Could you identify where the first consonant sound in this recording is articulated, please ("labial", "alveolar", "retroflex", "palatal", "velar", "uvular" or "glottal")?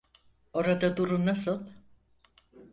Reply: alveolar